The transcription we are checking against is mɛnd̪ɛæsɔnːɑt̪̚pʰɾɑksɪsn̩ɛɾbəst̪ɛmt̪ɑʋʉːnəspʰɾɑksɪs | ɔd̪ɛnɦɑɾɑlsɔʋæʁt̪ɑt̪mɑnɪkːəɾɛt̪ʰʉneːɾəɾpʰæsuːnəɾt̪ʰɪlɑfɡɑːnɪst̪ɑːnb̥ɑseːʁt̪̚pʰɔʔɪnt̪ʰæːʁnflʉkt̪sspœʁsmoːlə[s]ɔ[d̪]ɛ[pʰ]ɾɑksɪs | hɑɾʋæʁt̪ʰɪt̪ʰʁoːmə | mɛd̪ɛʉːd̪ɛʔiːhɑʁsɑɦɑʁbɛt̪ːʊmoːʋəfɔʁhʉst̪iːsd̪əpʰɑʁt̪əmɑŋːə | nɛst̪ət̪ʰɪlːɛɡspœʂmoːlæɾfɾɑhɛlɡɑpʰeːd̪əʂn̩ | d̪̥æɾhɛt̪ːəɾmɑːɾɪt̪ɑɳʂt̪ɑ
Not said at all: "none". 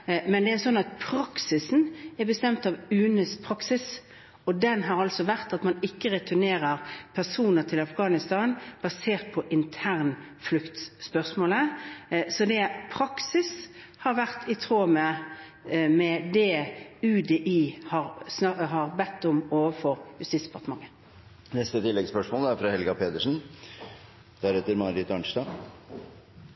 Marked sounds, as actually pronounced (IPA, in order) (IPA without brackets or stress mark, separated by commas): s, d̪, pʰ